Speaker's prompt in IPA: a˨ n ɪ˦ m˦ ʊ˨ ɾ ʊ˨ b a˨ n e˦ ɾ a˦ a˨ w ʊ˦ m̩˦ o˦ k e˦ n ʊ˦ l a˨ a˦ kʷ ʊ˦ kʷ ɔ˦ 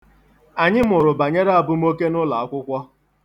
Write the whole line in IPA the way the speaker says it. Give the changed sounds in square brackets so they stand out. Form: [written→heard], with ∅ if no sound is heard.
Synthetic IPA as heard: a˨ [n→ɲ] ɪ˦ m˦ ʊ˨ ɾ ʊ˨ b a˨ [n→ɲ] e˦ ɾ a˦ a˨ [w→b] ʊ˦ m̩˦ o˦ k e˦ n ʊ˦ l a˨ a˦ kʷ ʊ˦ kʷ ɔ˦